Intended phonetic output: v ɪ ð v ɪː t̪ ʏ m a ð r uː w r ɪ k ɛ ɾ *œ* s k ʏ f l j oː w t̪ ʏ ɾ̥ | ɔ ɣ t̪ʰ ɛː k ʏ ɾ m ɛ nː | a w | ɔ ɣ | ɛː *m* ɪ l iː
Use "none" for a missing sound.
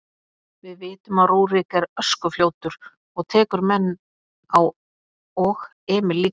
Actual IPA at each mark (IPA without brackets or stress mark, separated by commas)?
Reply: œ, m